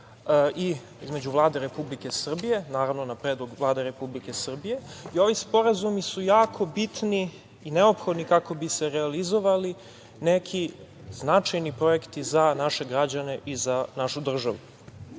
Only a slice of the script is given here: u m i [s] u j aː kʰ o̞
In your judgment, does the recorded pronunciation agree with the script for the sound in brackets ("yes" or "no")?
yes